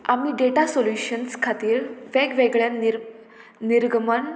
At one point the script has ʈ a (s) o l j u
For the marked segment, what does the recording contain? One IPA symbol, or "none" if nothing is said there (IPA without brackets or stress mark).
s